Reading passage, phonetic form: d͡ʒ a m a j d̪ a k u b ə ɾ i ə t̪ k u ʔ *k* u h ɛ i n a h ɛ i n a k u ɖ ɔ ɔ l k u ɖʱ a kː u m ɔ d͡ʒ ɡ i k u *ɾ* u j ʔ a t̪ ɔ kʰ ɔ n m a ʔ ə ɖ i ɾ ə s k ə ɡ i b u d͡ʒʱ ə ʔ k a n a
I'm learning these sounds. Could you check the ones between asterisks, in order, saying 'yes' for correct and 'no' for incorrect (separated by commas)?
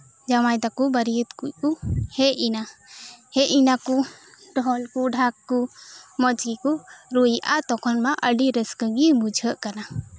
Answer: yes, yes